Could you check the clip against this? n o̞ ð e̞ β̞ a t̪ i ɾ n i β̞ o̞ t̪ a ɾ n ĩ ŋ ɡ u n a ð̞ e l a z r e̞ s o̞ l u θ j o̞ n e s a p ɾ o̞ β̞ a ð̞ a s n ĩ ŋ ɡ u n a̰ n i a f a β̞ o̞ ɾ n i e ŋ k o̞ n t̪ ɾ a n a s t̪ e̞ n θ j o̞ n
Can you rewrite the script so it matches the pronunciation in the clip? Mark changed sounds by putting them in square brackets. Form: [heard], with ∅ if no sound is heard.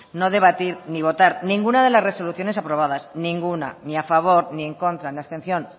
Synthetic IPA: n o̞ ð e̞ β̞ a t̪ i ɾ n i β̞ o̞ t̪ a ɾ n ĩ ŋ ɡ u n a ð̞ e l a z r e̞ s o̞ l u θ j o̞ n e s a p ɾ o̞ β̞ a ð̞ a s n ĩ ŋ ɡ u n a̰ n i a f a β̞ o̞ ɾ n i e ŋ k o̞ n t̪ ɾ a n a s t̪ e̞ n θ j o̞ n